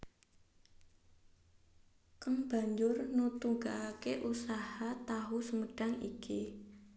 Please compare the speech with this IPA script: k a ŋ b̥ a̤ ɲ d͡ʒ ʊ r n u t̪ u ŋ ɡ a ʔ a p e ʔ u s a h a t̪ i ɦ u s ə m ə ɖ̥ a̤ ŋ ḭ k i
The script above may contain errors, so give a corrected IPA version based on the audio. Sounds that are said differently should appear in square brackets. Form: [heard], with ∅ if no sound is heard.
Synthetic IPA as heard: k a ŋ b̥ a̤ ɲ d͡ʒ ʊ r n u t̪ u ŋ ɡ a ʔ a [k] e ʔ u s a h a t̪ [a] ɦ u s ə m ə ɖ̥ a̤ ŋ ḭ k i